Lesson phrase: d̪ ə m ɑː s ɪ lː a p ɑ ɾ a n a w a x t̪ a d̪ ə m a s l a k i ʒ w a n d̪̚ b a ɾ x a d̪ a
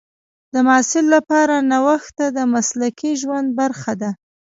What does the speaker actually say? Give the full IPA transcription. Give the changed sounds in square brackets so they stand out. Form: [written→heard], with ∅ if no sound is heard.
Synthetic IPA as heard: d̪ ə m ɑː s ɪ lː a p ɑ ɾ a n a w a x t̪ a d̪ ə m a s l a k i ʒ w a n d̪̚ b a ɾ x a d̪ a